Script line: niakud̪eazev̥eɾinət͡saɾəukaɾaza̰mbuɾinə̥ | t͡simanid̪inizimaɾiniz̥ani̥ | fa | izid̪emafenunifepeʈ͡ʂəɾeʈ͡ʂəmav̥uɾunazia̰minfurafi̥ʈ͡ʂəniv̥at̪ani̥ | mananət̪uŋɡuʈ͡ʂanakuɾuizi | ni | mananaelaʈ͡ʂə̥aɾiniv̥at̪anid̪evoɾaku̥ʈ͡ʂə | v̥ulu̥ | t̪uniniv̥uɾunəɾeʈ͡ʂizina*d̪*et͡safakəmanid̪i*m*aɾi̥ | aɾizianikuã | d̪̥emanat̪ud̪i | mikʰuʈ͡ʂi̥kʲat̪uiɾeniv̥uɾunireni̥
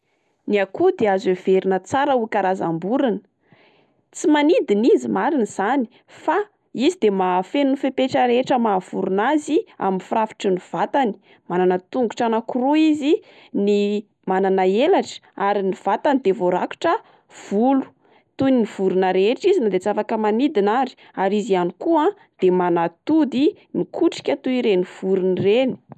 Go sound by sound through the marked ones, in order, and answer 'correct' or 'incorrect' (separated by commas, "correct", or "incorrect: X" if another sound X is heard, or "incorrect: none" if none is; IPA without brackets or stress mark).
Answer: correct, incorrect: n